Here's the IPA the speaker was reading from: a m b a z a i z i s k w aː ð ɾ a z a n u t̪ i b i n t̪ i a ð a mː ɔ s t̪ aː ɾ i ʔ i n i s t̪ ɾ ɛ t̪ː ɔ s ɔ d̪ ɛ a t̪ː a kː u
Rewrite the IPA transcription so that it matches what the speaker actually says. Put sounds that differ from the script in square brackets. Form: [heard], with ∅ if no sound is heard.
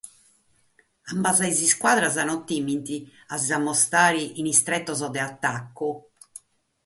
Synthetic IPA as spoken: a m b a z a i z i s k w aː ð ɾ a z a n [ɔ] t̪ i [m] i n t̪ i a [z] a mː ɔ s t̪ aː ɾ i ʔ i n i s t̪ ɾ ɛ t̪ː ɔ [z] ɔ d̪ ɛ a t̪ː a kː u

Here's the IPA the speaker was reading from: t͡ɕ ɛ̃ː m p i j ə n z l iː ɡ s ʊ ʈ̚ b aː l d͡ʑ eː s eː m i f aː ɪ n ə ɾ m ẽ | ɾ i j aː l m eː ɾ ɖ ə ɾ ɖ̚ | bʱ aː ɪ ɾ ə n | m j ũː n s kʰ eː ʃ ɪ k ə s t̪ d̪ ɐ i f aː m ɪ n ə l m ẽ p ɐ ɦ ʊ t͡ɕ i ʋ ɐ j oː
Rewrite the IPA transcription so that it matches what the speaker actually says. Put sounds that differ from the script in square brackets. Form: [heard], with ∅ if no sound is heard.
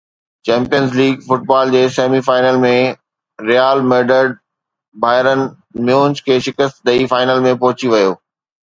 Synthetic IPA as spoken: t͡ɕ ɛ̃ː m p i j ə n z l iː ɡ [f] ʊ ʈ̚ b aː l d͡ʑ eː s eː m i f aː ɪ n ə [l] m ẽ | ɾ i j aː l m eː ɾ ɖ ə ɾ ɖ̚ | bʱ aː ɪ ɾ ə n | m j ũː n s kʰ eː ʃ ɪ k ə s t̪ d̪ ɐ i f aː [∅] ɪ n ə l m ẽ p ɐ ɦ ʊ t͡ɕ i ʋ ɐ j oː

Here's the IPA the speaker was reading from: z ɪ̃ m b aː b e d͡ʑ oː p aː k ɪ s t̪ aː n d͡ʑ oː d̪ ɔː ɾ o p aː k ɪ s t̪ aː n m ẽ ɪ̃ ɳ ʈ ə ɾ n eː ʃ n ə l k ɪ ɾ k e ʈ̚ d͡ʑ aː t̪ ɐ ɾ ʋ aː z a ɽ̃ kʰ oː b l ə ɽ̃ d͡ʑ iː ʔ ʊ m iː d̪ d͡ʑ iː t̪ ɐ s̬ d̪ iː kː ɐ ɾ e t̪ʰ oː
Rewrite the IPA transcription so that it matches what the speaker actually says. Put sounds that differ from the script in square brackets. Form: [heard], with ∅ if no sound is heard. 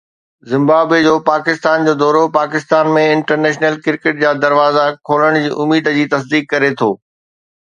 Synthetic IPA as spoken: z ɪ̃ m b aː b e d͡ʑ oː p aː k ɪ s t̪ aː n d͡ʑ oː d̪ ɔː ɾ o p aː k ɪ s t̪ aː n m ẽ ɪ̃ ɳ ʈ ə ɾ n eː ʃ n ə l k ɪ ɾ k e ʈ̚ d͡ʑ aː [d̪] ɐ ɾ ʋ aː z a [∅] kʰ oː [∅] l ə ɽ̃ d͡ʑ iː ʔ ʊ m iː d̪ d͡ʑ iː t̪ ɐ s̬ d̪ iː kː ɐ ɾ e t̪ʰ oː

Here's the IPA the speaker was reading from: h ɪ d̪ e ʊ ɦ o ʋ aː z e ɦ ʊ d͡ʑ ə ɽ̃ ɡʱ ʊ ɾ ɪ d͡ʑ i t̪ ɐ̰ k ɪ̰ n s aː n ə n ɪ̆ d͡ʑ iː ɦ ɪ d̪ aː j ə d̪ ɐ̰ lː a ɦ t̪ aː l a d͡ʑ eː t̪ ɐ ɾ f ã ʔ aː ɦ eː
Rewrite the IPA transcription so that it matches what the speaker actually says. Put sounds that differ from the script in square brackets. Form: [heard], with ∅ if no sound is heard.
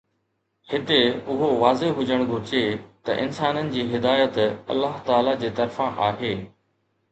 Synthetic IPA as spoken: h ɪ [t̪] e ʊ ɦ o ʋ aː z e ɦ ʊ d͡ʑ ə ɽ̃ ɡʱ ʊ ɾ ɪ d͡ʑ [e] t̪ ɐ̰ [ʔ] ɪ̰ n s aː n ə n ɪ̆ d͡ʑ iː ɦ ɪ d̪ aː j ə [t̪] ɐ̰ lː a ɦ t̪ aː l a d͡ʑ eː t̪ ɐ ɾ f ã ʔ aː ɦ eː

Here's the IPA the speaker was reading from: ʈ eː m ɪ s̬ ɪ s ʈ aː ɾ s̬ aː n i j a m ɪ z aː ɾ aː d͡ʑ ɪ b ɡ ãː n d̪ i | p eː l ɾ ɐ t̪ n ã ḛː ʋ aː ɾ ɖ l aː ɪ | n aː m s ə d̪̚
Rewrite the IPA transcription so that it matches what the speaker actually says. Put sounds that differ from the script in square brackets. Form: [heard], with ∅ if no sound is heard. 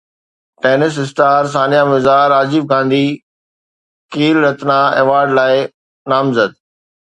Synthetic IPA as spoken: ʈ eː [n] ɪ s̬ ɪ s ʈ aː ɾ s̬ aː n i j a m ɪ z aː ɾ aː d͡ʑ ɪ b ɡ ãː n d̪ i | [k] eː l ɾ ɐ t̪ n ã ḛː ʋ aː ɾ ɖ l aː ɪ | n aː m [z] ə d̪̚

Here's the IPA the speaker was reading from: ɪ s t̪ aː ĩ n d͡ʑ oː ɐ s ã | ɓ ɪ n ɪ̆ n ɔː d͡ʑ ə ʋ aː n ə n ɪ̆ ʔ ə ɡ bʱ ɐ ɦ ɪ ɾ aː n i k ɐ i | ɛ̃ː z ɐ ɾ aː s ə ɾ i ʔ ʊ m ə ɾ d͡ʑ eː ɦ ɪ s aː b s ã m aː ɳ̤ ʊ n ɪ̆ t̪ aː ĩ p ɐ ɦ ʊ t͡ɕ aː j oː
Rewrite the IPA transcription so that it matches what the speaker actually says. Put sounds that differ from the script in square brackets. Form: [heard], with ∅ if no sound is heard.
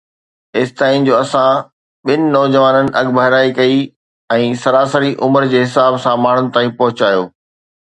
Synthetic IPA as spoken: ɪ s t̪ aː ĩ n d͡ʑ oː ɐ s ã | ɓ ɪ n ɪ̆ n ɔː d͡ʑ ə ʋ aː n ə n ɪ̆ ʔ [ɐ] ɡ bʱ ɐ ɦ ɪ ɾ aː [∅] i k ɐ i | ɛ̃ː [s] ɐ ɾ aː s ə ɾ i ʔ ʊ m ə ɾ d͡ʑ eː ɦ ɪ s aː b s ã m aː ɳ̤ ʊ n ɪ̆ t̪ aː ĩ p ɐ ɦ ʊ t͡ɕ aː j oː

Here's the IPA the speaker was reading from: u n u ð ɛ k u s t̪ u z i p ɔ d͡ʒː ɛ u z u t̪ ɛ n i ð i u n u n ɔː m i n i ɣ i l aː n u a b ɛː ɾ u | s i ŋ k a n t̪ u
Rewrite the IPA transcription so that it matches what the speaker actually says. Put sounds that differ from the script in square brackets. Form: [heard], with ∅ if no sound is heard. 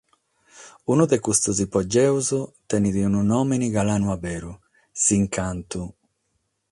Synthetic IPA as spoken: u n u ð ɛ k u s t̪ u z i p ɔ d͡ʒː ɛ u z u t̪ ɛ n i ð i u n u n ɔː m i n i ɣ [a] l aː n u a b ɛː ɾ u | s i ŋ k a n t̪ u

